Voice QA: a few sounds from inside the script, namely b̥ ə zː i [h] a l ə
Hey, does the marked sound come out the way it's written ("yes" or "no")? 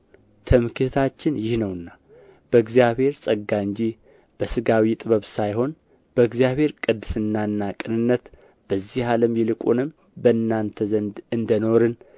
yes